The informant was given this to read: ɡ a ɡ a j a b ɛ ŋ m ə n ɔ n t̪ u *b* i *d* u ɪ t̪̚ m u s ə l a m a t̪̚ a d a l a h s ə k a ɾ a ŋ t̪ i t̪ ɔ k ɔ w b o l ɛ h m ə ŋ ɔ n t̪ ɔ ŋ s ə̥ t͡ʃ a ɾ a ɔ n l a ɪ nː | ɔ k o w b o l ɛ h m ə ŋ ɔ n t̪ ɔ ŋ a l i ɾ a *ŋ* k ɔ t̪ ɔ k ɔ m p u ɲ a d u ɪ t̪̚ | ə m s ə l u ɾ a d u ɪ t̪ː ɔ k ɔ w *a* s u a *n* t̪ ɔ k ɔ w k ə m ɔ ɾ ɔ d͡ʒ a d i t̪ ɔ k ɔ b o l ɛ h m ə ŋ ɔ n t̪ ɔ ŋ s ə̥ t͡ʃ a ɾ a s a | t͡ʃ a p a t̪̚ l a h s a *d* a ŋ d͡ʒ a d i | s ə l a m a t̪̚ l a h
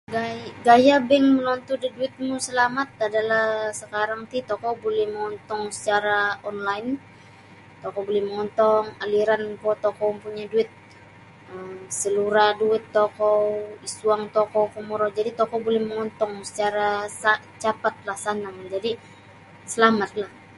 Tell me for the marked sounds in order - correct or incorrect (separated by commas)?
incorrect, correct, incorrect, incorrect, incorrect, incorrect